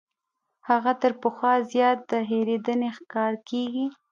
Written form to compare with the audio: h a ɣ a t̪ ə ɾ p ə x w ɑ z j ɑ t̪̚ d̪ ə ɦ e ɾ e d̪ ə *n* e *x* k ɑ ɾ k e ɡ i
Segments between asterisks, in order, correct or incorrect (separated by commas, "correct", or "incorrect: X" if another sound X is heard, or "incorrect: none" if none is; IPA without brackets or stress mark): correct, correct